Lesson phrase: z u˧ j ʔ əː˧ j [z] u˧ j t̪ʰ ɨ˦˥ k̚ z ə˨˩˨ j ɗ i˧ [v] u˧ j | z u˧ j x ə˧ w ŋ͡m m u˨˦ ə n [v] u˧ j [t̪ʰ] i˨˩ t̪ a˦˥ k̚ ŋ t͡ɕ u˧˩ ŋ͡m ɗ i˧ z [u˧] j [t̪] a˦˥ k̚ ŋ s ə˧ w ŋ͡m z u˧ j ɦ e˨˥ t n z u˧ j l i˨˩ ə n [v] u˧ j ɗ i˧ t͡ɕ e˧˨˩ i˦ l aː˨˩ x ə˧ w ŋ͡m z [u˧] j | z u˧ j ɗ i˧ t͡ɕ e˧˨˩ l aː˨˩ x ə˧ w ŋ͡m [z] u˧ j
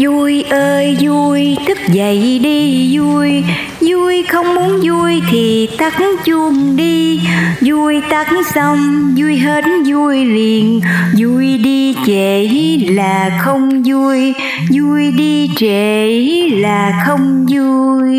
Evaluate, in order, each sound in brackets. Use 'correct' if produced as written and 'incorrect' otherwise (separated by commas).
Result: correct, incorrect, incorrect, correct, correct, correct, incorrect, correct, correct